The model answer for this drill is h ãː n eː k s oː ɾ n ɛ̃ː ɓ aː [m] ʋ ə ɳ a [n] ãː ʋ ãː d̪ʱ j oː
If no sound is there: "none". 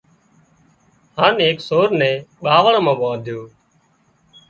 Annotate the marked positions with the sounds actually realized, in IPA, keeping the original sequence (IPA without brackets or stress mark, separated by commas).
none, m